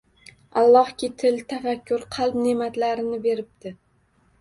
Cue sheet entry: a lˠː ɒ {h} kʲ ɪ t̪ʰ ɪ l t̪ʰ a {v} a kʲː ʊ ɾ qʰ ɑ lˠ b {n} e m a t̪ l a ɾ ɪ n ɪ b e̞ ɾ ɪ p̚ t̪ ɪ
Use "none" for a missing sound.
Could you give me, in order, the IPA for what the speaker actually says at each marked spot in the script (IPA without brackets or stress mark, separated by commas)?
h, f, n